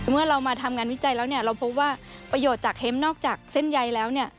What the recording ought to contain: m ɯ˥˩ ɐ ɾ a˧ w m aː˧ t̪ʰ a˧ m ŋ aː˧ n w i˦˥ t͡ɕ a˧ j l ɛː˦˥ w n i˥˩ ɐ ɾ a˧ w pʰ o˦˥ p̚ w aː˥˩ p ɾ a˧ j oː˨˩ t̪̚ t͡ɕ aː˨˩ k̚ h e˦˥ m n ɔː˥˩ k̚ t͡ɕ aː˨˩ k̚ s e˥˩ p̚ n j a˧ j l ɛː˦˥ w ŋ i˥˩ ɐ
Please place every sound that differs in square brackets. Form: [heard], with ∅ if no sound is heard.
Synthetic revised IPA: m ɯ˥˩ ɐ ɾ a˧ w m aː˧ t̪ʰ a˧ m ŋ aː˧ n w i˦˥ t͡ɕ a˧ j l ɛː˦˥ w n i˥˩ ɐ ɾ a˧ w pʰ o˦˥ p̚ w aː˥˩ p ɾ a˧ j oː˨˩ t̪̚ t͡ɕ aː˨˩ k̚ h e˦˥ m n ɔː˥˩ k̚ t͡ɕ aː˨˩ k̚ s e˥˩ [∅] n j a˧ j l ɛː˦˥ w [n] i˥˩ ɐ